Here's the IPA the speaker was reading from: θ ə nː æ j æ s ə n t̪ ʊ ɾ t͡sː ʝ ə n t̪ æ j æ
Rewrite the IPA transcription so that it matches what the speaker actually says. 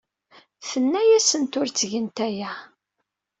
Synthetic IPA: θ ə nː æ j æ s ə n t̪ ʊ ɾ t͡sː ʝ ə n t̪ æ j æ